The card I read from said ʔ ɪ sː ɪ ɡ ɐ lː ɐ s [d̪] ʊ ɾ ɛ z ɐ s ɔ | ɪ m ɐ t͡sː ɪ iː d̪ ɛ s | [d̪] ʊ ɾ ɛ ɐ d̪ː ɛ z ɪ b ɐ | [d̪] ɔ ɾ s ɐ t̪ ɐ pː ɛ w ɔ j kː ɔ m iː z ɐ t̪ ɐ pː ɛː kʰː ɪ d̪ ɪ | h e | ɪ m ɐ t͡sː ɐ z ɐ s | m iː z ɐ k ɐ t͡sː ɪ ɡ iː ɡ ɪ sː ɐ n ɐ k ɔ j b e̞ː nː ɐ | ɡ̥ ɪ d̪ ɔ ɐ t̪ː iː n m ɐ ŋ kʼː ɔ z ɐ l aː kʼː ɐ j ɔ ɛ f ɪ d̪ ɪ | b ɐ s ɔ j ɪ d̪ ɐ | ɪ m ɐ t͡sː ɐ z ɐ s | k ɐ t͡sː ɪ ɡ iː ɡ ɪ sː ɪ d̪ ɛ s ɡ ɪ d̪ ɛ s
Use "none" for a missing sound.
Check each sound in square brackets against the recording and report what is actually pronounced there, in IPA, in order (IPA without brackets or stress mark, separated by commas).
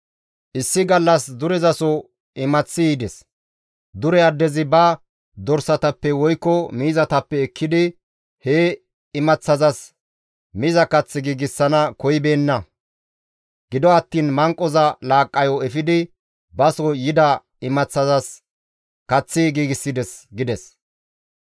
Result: d̪, d̪, d̪